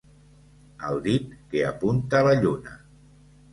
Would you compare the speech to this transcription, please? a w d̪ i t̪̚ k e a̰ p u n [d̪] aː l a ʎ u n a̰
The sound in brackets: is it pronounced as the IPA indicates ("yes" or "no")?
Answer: no